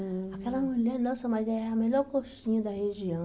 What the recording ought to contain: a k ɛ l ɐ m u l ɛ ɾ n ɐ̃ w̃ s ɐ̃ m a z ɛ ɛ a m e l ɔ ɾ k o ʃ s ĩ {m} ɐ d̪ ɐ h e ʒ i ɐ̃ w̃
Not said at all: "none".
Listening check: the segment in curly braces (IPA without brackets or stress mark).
ɲ